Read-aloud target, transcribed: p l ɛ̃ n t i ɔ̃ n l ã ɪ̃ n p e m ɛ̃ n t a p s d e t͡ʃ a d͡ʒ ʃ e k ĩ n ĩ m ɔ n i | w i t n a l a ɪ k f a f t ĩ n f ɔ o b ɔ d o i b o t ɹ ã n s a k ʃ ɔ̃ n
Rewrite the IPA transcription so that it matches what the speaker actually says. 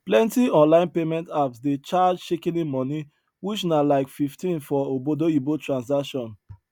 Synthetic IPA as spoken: p l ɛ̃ n t i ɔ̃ n l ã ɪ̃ n p e m ɛ̃ n t a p s d e t͡ʃ a d͡ʒ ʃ e k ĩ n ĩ m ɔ n i | w i t͡ʃ n a l a ɪ k f i f t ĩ n f ɔ o b o d o i b o t ɹ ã n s a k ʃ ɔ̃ n